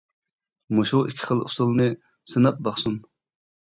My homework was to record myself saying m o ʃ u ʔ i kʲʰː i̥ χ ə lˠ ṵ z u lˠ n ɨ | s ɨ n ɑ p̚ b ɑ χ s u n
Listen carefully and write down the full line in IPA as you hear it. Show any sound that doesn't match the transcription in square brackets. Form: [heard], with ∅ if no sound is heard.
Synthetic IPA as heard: m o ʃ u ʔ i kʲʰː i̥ χ ə lˠ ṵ [s] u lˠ n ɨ | s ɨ n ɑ p̚ b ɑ χ s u n